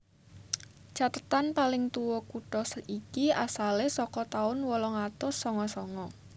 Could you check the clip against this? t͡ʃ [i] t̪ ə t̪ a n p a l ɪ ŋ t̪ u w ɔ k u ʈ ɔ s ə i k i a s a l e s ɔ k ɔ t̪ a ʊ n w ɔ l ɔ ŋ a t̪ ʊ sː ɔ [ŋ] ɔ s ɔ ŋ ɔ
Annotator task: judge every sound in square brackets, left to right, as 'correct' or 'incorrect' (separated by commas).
incorrect, correct